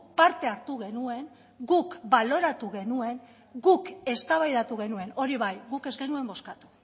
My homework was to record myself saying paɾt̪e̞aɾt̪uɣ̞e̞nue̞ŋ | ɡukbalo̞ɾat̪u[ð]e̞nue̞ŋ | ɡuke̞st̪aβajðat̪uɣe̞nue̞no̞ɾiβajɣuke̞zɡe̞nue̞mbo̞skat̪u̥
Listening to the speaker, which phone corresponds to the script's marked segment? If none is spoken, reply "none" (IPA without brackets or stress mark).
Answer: ɣ